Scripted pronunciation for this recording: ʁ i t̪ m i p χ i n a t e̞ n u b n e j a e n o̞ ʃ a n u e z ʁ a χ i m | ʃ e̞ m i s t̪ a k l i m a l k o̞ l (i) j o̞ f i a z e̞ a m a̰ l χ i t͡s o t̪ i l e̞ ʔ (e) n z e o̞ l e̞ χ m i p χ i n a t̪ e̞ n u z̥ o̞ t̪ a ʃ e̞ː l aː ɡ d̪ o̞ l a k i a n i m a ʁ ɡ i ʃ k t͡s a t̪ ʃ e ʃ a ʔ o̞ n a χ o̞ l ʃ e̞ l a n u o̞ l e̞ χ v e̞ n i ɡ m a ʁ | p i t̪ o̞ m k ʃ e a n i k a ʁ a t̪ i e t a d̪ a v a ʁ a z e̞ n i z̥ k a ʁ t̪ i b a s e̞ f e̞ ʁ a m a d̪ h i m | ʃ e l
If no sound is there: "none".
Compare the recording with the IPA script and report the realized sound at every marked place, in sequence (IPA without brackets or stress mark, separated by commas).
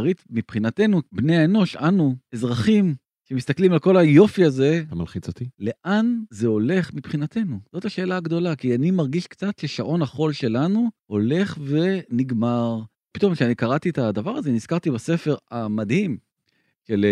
a, a